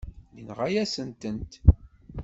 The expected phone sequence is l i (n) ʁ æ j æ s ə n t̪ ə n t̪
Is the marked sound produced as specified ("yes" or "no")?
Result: yes